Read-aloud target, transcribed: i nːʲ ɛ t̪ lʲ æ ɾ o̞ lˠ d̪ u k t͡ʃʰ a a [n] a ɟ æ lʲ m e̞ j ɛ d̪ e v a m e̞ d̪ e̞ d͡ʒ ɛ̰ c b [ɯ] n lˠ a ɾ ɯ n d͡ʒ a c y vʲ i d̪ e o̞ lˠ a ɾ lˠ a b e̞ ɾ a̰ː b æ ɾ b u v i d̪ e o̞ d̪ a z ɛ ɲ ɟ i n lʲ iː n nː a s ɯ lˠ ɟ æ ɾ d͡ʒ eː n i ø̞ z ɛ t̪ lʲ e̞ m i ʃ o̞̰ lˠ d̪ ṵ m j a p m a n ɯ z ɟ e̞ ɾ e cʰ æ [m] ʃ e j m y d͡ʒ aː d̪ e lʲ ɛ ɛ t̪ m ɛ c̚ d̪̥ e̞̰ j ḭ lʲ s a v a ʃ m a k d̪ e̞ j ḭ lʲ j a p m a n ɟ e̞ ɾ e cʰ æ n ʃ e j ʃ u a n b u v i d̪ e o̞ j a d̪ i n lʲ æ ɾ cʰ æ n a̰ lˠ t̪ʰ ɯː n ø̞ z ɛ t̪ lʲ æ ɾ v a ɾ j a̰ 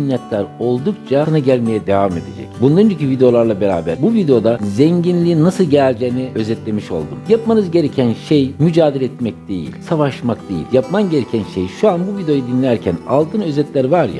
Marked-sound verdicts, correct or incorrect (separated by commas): correct, incorrect, incorrect